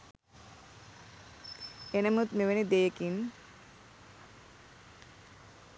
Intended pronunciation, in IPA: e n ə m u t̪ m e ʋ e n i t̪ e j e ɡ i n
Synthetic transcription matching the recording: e n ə m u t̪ m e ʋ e n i d̪ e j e k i n